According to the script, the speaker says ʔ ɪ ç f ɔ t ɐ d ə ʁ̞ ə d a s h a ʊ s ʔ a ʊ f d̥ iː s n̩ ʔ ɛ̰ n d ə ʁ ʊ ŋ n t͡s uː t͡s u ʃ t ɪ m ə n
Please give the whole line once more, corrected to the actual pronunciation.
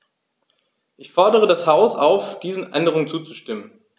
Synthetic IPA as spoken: ʔ ɪ ç f ɔ ɐ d ə ʁ̞ ə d a s h a ʊ s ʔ a ʊ f d̥ iː z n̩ ʔ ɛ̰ n d ə ʁ ʊ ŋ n t͡s uː t͡s u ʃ t ɪ m ə n